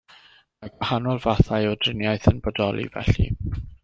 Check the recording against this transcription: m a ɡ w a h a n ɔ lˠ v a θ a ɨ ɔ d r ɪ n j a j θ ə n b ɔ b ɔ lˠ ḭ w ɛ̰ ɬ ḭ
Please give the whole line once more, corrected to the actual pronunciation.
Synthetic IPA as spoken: m a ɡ w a h a n ɔ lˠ v a θ a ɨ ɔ d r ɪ n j a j θ ə n b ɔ d ɔ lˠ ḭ v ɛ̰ ɬ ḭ

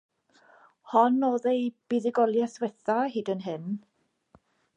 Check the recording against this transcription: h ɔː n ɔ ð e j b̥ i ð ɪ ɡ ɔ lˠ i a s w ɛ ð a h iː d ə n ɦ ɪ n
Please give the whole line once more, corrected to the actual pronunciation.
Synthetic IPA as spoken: h ɔ n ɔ ð e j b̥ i ð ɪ ɡ ɔ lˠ j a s w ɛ θ a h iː d ə n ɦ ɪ n

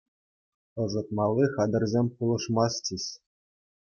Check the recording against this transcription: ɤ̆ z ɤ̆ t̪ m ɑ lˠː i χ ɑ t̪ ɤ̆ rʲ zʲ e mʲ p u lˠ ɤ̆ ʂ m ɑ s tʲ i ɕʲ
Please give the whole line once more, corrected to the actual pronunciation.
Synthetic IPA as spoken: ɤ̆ z ɤ̆ t̪ m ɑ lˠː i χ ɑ d̪ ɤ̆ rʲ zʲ e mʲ p u lˠ ɤ̆ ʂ m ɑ s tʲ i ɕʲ

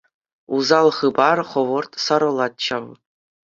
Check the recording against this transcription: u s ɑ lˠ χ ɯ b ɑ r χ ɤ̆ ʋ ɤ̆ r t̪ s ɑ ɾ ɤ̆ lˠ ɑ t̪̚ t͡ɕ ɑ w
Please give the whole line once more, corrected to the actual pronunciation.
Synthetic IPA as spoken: u z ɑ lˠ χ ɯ b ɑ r χ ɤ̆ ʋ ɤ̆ r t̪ s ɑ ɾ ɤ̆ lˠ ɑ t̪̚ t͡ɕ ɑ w

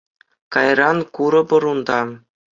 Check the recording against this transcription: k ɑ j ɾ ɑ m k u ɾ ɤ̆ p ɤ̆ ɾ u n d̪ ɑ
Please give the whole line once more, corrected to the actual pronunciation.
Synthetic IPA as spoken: k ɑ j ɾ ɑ n k u ɾ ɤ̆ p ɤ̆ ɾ u n d̪ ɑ

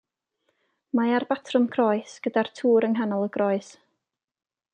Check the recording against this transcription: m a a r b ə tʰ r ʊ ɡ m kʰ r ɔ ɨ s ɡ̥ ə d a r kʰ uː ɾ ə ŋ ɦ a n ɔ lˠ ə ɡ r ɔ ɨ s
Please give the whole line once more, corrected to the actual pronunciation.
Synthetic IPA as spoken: m a a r b a tʰ r ʊ m kʰ r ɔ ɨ s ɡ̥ ə d a r tʰ uː ɾ ə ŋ ɦ a n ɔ lˠ ə ɡ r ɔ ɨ s

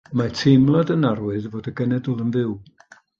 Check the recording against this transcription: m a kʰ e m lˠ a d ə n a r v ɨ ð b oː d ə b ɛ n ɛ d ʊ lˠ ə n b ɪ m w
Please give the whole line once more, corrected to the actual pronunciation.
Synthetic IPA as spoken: m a tʰ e m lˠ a d ə n a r w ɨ ð v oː d ə ɡ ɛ n ɛ d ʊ lˠ ə n v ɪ w

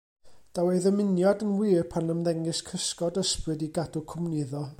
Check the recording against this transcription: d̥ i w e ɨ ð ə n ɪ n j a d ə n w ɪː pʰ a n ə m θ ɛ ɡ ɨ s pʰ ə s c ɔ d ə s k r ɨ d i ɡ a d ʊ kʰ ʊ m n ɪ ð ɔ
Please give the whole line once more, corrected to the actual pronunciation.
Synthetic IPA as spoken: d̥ a w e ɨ ð ə m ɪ n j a d ə n w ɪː pʰ a n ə m ð ɛ ŋ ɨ s kʰ ə s k ɔ d ə s p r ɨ d i ɡ a d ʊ kʰ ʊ m n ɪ ð ɔ

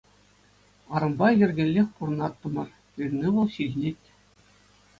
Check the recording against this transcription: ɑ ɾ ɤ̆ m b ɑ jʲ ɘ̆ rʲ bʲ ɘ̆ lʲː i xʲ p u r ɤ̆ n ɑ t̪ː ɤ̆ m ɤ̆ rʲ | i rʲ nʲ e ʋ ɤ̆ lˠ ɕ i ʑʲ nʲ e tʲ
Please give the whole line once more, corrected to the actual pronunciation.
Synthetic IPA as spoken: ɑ ɾ ɤ̆ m b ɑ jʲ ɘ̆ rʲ ɡʲ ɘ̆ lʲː e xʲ p u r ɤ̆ n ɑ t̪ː ɤ̆ m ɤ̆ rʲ | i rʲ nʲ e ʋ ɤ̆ lˠ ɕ i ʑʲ nʲ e tʲ

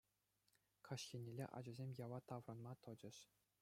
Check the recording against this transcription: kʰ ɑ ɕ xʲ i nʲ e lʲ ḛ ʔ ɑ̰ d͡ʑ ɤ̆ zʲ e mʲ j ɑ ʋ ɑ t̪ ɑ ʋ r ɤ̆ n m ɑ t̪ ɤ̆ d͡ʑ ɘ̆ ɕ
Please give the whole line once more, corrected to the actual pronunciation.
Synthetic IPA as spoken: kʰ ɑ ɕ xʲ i nʲ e lʲ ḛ ʔ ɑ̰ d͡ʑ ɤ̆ zʲ e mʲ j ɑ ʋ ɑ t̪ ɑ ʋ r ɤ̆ n m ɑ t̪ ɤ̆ d͡ʑ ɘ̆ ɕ

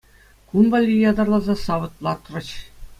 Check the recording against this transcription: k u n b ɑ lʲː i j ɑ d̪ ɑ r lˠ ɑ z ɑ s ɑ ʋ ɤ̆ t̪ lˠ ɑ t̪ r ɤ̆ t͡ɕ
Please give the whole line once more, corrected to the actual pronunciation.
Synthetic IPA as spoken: k u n b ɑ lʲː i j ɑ d̪ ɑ r lˠ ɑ z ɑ s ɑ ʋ ɤ̆ t̪ lˠ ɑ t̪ r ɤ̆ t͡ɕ

